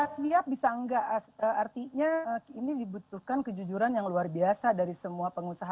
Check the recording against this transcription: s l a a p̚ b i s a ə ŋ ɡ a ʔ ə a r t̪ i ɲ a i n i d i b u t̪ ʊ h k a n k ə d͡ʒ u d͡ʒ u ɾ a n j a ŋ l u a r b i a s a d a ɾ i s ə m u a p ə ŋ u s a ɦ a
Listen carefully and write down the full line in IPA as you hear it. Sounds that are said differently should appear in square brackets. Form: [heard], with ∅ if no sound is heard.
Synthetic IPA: s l [i] a p̚ b i s a ə ŋ ɡ a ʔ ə a r t̪ i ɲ a i n i d i b u t̪ [u] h k a n k ə d͡ʒ u d͡ʒ u ɾ a n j a ŋ l u a r b i a s a d a ɾ i s ə m u a p ə ŋ u s a ɦ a